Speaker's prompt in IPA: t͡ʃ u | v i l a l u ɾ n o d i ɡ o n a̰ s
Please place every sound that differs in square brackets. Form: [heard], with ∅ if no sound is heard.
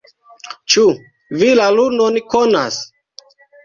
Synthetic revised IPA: t͡ʃ u | v i l a l u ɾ n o [n] i [k] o n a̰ s